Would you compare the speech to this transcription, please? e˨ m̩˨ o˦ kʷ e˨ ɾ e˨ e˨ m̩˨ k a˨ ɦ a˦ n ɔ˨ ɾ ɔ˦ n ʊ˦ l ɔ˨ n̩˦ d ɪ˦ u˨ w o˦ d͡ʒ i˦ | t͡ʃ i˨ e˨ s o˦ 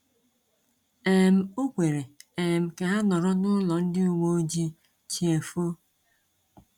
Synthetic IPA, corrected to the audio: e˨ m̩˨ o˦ kʷ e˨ ɾ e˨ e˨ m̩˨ k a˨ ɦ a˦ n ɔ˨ ɾ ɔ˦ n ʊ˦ l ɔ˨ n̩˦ d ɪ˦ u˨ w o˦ d͡ʒ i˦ | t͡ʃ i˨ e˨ f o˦